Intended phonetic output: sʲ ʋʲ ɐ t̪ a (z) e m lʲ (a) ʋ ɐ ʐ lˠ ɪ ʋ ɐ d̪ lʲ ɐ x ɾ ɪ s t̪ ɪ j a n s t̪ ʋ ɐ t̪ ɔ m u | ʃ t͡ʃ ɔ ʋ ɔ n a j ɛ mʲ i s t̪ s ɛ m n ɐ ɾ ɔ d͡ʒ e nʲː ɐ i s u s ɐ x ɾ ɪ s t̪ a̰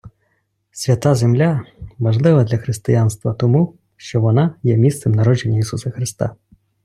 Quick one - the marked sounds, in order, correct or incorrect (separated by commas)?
correct, correct